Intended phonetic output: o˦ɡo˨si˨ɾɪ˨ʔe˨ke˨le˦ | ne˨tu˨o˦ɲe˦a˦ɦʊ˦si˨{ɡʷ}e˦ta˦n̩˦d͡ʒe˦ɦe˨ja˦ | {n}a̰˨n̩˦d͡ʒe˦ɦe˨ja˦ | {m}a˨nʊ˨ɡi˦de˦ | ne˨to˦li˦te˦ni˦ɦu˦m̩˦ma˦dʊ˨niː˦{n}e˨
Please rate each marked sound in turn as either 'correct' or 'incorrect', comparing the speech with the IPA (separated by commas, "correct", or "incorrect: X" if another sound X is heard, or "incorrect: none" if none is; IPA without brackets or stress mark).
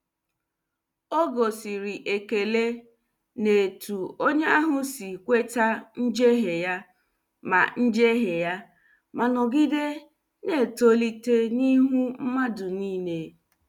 incorrect: kʷ, incorrect: m, correct, correct